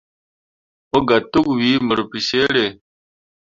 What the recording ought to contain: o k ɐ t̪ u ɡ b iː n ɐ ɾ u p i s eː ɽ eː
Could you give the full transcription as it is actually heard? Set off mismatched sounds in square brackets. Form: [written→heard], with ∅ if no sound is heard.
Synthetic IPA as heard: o [k→ɡ] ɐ t̪ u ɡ [b→w] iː [n→m] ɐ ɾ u p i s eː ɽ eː